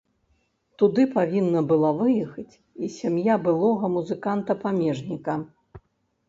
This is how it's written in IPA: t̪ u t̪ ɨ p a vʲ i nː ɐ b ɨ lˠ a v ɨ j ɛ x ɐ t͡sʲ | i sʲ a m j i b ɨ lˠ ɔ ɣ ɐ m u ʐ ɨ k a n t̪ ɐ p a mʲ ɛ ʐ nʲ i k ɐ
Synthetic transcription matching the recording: t̪ u d̪ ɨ p a vʲ i nː ɐ b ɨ lˠ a v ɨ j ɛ x ɐ t͡sʲ | i sʲ a m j a b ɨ lˠ ɔ ɣ ɐ m u z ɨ k a n t̪ ɐ p a mʲ ɛ ʐ nʲ i k ɐ